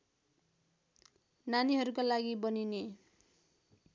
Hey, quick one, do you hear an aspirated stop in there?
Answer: no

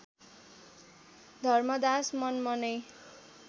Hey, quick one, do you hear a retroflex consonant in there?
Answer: no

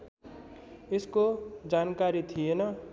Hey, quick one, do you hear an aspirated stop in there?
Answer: yes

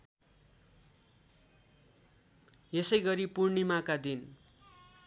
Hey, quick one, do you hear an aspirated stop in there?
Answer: no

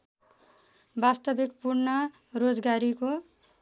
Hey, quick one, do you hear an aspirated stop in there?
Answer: no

